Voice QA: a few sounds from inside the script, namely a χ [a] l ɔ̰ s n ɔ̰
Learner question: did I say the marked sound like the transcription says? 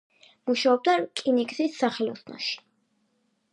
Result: no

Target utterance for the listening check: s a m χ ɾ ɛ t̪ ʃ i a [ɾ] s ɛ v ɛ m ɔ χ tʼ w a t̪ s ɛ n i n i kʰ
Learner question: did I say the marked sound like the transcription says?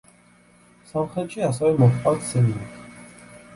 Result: no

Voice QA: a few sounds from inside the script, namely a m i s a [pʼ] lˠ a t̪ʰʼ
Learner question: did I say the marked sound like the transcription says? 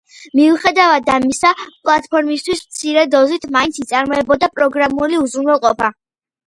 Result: yes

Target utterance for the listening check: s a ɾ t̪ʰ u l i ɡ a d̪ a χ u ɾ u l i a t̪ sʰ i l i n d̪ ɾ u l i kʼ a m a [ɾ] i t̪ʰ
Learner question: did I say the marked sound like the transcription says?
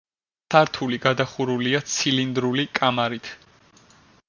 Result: yes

